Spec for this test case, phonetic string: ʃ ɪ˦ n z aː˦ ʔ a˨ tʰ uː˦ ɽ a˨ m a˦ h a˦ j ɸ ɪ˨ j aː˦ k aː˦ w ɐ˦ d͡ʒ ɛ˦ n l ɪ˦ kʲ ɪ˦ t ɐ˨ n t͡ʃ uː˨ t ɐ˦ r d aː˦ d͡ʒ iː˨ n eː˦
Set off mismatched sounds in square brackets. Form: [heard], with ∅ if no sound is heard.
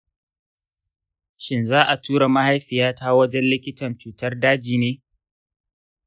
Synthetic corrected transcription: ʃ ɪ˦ n z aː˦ ʔ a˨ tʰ uː˦ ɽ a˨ m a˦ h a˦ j ɸ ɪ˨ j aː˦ [t] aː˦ w ɐ˦ d͡ʒ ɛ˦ n l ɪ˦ kʲ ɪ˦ t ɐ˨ n t͡ʃ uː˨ t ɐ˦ r d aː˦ d͡ʒ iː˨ n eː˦